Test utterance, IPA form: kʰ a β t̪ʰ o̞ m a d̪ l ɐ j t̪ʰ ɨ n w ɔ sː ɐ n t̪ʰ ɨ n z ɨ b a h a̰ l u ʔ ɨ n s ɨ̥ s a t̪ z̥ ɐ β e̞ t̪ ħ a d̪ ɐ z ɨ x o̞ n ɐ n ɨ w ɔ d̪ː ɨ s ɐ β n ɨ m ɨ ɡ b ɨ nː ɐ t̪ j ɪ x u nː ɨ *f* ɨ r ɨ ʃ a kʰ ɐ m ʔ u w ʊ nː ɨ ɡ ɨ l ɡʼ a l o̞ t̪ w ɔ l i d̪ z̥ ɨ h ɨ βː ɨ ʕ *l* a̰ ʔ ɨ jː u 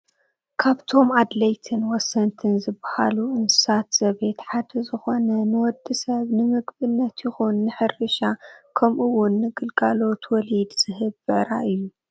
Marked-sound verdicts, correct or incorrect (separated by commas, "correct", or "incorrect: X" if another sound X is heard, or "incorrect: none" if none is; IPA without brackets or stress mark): incorrect: ħ, incorrect: ɾ